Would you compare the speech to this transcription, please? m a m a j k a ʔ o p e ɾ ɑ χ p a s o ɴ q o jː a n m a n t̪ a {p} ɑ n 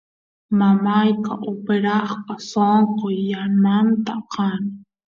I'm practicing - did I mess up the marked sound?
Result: yes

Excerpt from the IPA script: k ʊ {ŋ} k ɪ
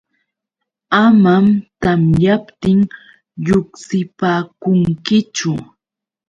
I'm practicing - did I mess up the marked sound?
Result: no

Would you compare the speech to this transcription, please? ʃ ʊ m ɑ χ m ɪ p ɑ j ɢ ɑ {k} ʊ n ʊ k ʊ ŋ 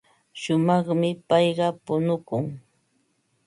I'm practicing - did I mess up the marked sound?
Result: yes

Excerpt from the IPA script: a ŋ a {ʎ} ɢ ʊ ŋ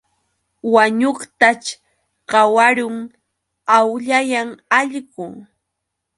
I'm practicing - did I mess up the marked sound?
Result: no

